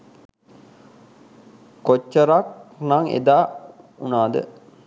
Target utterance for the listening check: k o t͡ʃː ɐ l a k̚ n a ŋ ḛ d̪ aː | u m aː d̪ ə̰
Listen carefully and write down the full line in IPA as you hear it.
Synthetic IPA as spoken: k o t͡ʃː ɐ ɾ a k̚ n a ŋ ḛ d̪ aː | u n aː d̪ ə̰